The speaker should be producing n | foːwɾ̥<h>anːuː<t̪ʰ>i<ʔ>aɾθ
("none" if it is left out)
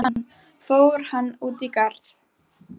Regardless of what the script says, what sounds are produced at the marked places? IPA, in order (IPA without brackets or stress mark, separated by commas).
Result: h, t̪, k